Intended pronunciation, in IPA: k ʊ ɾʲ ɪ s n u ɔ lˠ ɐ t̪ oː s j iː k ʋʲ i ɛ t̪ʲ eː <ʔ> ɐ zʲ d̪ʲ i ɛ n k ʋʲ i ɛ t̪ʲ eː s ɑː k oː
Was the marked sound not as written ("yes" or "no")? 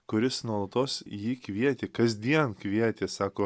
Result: yes